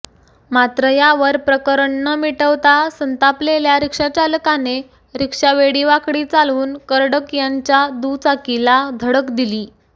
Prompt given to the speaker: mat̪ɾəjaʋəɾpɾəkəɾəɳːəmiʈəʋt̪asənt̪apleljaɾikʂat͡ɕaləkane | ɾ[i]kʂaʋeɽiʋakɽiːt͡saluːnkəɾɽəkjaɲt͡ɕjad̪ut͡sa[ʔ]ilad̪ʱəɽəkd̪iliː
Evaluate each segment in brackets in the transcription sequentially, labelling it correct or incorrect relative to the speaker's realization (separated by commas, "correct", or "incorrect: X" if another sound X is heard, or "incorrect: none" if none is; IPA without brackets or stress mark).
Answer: correct, incorrect: k